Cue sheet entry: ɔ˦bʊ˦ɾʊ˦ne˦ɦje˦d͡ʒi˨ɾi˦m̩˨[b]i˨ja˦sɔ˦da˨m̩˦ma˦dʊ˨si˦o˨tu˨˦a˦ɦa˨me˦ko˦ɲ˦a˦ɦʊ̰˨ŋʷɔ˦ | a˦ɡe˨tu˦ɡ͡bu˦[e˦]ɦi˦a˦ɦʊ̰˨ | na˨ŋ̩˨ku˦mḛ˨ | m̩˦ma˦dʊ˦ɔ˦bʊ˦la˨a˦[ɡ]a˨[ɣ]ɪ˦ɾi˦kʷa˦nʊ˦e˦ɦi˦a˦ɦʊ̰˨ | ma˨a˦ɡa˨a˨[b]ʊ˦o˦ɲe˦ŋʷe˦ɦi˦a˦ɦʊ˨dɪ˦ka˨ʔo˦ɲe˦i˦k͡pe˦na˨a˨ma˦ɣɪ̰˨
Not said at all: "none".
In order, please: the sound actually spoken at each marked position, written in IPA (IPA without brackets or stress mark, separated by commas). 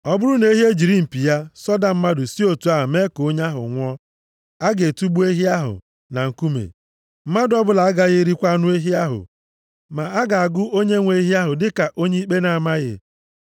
p, e˦, ɡ, ɣ, ɡ